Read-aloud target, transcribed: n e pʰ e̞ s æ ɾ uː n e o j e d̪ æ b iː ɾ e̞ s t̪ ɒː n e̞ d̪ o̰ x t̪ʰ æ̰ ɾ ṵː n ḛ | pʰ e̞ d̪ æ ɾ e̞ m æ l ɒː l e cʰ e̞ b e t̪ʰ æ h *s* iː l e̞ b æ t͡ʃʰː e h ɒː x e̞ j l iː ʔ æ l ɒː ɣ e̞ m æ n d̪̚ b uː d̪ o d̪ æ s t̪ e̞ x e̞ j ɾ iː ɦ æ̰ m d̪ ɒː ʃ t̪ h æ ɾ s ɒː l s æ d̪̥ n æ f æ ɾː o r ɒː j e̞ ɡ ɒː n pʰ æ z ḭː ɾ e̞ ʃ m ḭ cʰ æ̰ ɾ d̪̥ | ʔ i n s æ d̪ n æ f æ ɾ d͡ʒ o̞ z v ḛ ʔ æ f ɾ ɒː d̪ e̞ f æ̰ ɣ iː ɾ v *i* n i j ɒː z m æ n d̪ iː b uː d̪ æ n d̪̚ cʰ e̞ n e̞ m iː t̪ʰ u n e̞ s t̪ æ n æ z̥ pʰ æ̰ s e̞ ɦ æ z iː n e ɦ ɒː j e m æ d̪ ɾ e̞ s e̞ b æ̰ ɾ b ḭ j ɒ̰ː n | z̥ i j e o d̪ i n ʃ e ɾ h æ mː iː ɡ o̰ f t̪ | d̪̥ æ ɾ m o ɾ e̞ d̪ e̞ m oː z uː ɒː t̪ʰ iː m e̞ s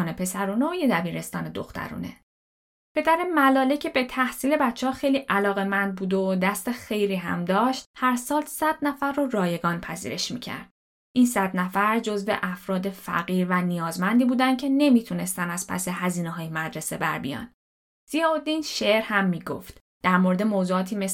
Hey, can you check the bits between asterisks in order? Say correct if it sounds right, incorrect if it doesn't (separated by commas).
correct, incorrect